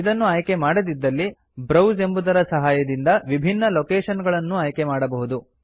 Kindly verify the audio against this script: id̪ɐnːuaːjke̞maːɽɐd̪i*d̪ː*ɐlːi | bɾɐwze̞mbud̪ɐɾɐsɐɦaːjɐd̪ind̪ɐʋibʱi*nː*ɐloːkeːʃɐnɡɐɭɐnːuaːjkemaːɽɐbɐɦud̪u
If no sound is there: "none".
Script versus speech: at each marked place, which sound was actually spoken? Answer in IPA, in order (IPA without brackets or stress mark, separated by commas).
d̪ː, nː